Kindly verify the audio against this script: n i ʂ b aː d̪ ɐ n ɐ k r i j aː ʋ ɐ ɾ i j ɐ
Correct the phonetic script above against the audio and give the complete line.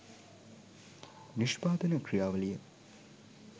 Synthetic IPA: n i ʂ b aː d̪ ɐ n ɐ k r i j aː ʋ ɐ l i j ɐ